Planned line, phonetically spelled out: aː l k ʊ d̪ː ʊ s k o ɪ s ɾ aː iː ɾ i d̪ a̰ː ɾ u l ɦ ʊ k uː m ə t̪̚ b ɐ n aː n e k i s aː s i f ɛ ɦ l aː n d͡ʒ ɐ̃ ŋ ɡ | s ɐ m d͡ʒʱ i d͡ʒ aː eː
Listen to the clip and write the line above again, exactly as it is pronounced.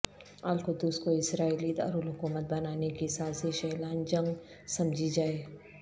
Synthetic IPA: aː l k ʊ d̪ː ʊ s k o ɪ s ɾ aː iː l i d̪ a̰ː ɾ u l ɦ ʊ k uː m ə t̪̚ b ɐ n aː n e k i s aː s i ʃ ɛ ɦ l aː n d͡ʒ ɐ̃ ŋ ɡ | s ɐ m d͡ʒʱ i d͡ʒ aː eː

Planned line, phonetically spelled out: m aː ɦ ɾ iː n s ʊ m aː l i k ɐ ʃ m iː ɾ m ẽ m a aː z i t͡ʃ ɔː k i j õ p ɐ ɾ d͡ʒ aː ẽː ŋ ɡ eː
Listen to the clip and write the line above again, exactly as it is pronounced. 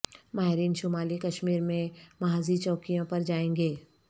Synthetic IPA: m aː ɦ ɾ iː n ʃ ʊ m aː l i k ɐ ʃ m iː ɾ m ẽ m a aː z i t͡ʃ ɔː k i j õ p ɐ ɾ d͡ʒ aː ẽː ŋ ɡ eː

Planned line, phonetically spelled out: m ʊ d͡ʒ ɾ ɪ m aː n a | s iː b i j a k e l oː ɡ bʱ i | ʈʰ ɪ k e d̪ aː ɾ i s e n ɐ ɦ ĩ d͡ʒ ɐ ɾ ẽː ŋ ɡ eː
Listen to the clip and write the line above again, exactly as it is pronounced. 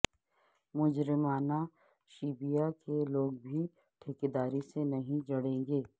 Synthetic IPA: m ʊ d͡ʒ ɾ ɪ m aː n a | ʃ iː b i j a k e l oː ɡ bʱ i | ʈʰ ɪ k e d̪ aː ɾ i s e n ɐ ɦ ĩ d͡ʒ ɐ ɽ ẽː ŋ ɡ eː

